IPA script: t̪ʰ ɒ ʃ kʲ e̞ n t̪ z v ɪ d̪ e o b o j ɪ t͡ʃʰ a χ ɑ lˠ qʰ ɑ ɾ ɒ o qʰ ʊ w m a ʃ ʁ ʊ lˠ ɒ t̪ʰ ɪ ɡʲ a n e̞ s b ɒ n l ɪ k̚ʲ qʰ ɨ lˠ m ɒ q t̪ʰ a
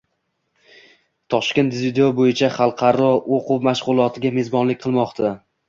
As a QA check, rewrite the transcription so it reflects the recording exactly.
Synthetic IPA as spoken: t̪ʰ ɒ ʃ kʲ e̞ n t̪ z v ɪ d̪ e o b o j ɪ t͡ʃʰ a χ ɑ lˠ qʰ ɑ ɾ ɒ o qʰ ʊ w m a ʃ ʁ ʊ lˠ ɒ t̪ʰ ɪ ɡʲ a m e̞ z b ɒ n l ɪ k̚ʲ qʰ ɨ lˠ m ɒ q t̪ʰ a